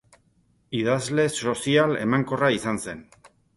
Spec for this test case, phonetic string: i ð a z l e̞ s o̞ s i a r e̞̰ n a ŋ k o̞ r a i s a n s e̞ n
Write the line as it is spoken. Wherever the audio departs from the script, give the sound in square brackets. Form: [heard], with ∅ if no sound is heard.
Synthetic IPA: i ð a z l e̞ s o̞ s i a [l] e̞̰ [m] a ŋ k o̞ r a i s a n s e̞ n